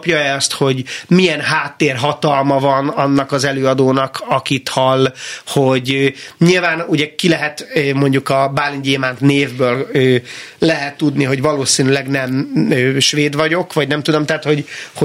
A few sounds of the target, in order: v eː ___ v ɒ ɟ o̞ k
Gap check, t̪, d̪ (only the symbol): d̪